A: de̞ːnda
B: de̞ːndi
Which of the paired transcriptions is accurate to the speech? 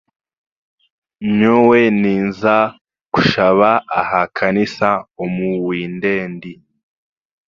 B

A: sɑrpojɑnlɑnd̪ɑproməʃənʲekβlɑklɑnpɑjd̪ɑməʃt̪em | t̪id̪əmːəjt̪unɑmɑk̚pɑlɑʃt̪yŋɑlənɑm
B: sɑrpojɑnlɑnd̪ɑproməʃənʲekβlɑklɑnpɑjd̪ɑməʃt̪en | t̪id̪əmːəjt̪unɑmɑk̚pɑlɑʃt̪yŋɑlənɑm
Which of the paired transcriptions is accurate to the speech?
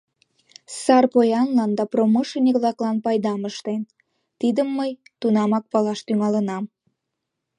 B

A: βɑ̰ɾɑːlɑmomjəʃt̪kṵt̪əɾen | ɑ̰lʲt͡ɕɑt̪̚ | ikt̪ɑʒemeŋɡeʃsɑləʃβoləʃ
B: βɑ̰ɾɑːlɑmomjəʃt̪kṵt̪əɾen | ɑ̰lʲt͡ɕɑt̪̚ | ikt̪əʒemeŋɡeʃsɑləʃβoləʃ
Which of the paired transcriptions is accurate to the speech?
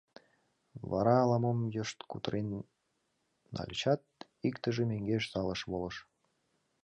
B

